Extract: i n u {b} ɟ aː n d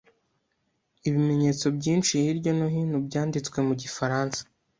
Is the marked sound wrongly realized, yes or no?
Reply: no